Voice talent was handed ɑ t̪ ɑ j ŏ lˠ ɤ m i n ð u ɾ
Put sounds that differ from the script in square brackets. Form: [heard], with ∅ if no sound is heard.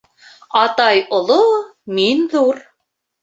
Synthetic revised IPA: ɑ t̪ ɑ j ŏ lˠ [o] m i n ð u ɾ

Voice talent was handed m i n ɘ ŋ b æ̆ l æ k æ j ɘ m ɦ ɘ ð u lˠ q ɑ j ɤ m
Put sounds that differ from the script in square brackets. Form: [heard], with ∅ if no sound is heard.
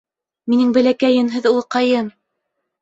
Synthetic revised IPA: m i n ɘ ŋ b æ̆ l æ k æ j ɘ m ɦ ɘ ð u lˠ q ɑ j ɤ m

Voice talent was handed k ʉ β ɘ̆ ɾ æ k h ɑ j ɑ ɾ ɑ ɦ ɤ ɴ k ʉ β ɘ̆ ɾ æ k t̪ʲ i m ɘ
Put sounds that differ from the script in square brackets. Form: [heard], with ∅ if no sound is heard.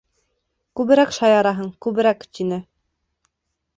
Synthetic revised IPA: k ʉ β ɘ̆ ɾ æ k [ʃ] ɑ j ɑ ɾ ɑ ɦ ɤ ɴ k ʉ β ɘ̆ ɾ æ k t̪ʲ i [n] ɘ

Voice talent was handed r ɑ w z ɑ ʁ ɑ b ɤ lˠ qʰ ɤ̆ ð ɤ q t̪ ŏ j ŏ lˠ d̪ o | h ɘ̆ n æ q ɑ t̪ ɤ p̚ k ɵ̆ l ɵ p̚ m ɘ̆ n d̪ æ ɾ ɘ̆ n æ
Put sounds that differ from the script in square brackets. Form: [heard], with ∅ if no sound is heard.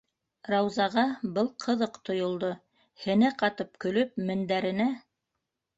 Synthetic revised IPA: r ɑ w z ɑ ʁ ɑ b ɤ lˠ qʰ ɤ̆ ð ɤ q t̪ ŏ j ŏ lˠ d̪ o | h ɘ̆ n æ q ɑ t̪ ɤ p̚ k ɵ̆ l ɵ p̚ m ɘ̆ n d̪ æ ɾ ɘ̆ n æ

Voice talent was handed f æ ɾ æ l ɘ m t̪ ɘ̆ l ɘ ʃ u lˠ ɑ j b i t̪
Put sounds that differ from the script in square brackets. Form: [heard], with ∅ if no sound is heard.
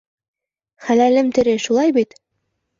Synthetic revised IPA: [χ] æ [l] æ l ɘ m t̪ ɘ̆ [ɾ] ɘ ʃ u lˠ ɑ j b i t̪

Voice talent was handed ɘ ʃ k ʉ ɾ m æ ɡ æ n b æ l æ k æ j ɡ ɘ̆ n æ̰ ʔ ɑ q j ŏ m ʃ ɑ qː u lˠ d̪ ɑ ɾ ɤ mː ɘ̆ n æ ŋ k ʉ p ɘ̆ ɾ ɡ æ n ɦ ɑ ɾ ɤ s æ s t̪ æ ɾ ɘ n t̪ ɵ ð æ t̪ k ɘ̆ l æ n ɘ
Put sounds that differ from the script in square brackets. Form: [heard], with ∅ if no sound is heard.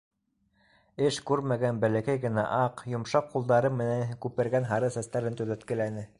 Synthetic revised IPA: ɘ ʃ k ʉ ɾ m æ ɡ æ n b æ l æ k æ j ɡ ɘ̆ n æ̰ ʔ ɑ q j ŏ m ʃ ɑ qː u lˠ d̪ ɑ ɾ ɤ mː ɘ̆ n æ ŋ k ʉ p ɘ̆ ɾ ɡ æ n ɦ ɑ ɾ ɤ s æ s t̪ æ ɾ ɘ n t̪ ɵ ð æ t̪ k ɘ̆ l æ n ɘ

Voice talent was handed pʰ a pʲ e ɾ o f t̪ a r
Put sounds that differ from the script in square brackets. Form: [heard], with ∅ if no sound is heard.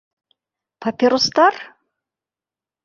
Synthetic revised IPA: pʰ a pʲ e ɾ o [s] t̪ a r

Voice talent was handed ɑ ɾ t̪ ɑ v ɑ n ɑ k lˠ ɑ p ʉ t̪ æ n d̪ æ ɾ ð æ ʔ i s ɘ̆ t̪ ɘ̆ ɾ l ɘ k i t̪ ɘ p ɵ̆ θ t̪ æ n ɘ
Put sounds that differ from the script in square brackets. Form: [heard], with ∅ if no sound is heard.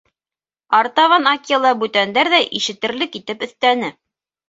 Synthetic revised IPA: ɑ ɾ t̪ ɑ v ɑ n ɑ k lˠ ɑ [b] ʉ t̪ æ n d̪ æ ɾ ð æ ʔ i [ʃ] ɘ̆ t̪ ɘ̆ ɾ l ɘ k i t̪ ɘ p ɵ̆ θ t̪ æ n ɘ

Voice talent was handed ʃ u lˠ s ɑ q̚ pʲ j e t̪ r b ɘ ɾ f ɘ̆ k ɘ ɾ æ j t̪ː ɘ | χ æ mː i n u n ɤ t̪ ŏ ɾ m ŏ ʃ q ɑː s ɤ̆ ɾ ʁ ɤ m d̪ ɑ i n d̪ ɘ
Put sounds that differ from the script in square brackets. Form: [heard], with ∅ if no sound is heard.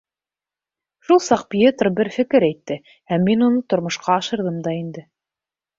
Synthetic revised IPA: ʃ u lˠ s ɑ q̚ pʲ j e t̪ r b ɘ ɾ f ɘ̆ k ɘ ɾ æ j t̪ː ɘ | [h] æ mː i n u n ɤ t̪ ŏ ɾ m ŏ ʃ q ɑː [ʃ] ɤ̆ ɾ [ð] ɤ m d̪ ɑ i n d̪ ɘ

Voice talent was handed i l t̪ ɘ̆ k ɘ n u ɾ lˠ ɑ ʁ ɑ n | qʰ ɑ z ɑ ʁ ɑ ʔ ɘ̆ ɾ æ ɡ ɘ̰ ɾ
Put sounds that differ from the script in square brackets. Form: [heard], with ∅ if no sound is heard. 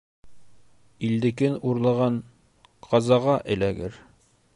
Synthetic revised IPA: i l [d̪] ɘ̆ k ɘ n u ɾ lˠ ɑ ʁ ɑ n | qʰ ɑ z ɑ ʁ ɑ ʔ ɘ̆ [l] æ ɡ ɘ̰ ɾ

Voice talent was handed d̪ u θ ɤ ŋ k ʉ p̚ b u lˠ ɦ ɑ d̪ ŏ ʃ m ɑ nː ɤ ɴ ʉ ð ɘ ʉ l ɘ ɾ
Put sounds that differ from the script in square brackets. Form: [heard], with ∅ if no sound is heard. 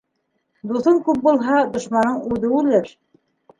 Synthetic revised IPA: d̪ u θ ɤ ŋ k ʉ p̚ b u lˠ ɦ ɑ d̪ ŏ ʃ m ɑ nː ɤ ɴ ʉ ð ɘ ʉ l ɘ ɾ

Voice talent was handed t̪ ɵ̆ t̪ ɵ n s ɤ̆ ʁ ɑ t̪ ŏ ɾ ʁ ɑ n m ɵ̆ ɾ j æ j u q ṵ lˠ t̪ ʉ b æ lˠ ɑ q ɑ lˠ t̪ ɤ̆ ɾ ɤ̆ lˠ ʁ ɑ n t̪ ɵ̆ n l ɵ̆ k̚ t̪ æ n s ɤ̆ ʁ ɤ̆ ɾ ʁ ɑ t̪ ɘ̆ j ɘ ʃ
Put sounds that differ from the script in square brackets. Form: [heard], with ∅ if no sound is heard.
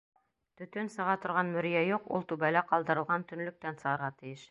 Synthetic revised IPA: t̪ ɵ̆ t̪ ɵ n s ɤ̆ ʁ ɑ t̪ ŏ ɾ ʁ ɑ n m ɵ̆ ɾ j æ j u q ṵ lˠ t̪ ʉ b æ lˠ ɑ q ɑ lˠ [d̪] ɤ̆ ɾ ɤ̆ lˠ ʁ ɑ n t̪ ɵ̆ n l ɵ̆ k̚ t̪ æ n s ɤ̆ ʁ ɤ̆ ɾ ʁ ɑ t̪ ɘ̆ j ɘ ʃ

